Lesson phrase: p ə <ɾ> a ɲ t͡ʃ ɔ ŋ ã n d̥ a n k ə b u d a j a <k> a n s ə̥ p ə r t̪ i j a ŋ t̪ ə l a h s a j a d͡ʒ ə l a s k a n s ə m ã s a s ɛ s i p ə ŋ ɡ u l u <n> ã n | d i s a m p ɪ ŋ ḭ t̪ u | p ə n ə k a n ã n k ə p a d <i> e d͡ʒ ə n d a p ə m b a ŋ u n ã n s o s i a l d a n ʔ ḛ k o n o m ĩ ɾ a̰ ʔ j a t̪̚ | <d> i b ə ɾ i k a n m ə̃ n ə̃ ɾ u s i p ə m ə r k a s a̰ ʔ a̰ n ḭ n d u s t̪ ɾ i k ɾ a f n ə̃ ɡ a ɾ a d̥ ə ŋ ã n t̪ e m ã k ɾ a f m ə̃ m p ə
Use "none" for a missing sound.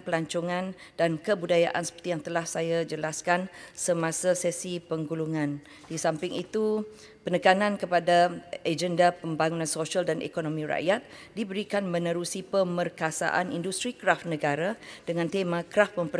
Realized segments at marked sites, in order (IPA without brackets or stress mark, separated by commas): l, ʔ, ŋ, a, d